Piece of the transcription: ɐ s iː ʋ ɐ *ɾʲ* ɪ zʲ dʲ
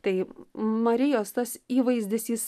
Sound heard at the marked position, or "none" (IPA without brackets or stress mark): none